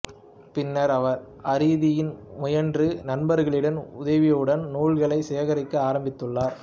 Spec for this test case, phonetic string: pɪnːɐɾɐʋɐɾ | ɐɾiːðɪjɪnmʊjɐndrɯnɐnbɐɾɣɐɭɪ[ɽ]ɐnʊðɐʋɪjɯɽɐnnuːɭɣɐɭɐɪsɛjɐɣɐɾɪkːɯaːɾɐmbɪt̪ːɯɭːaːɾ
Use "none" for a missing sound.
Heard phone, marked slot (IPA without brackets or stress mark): ɽ